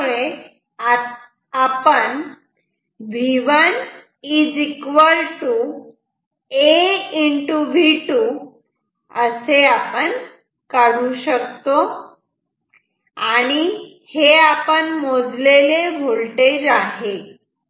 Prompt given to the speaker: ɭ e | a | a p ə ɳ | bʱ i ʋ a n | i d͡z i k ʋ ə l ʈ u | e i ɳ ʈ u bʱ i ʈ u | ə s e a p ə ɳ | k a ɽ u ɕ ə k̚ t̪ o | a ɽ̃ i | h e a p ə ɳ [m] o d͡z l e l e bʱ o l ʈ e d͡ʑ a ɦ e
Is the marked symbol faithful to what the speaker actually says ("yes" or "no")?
yes